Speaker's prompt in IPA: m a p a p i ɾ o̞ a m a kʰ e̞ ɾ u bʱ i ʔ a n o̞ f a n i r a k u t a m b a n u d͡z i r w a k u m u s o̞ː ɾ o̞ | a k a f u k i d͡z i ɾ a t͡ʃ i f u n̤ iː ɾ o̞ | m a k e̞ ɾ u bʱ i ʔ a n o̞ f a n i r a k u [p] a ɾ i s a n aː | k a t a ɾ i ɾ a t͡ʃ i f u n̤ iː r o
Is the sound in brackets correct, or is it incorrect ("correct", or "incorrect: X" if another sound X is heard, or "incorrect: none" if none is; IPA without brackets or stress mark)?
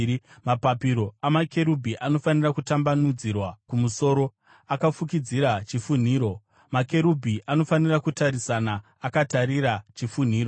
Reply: incorrect: t